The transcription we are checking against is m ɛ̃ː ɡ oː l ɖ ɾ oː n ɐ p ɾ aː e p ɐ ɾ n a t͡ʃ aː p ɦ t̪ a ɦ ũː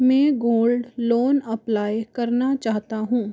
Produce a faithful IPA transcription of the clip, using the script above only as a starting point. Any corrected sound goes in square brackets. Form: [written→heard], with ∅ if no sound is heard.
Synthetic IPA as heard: m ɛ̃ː ɡ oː l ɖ [ɾ→l] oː n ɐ p [ɾ→l] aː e [p→k] ɐ ɾ n a t͡ʃ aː [p→∅] ɦ t̪ a ɦ ũː

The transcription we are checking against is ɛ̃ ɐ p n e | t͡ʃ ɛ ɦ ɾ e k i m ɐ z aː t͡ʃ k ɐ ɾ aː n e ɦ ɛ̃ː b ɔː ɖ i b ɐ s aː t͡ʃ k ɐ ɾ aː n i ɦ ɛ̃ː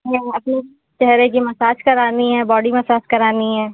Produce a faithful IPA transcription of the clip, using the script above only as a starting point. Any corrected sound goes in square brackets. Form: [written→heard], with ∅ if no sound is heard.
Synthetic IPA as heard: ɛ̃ ɐ p n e | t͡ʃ ɛ ɦ ɾ e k i m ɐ [z→s] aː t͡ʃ k ɐ ɾ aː n [e→i] ɦ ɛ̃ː b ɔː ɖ i [b→m] ɐ s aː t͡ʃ k ɐ ɾ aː n i ɦ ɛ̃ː

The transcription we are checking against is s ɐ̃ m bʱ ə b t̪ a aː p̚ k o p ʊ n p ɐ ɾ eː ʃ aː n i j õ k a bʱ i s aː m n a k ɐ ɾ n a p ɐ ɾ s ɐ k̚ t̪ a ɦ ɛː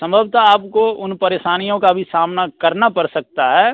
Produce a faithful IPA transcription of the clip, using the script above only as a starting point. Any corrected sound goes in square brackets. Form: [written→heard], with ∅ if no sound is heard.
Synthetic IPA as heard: s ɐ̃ m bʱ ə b t̪ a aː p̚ k o [p→∅] ʊ n p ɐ ɾ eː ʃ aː n i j õ k a bʱ i s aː m n a k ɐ ɾ n a p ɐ ɾ s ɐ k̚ t̪ a ɦ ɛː

